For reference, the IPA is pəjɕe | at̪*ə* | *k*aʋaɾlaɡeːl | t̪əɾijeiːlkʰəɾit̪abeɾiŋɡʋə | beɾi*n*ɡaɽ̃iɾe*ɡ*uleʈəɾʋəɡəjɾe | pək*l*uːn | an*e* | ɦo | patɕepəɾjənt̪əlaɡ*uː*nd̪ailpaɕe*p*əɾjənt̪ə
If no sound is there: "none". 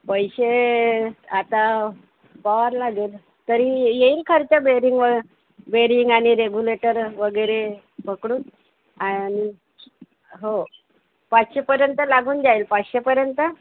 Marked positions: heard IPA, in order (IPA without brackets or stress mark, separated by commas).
a, p, ŋ, ɡ, ɽ, i, uː, p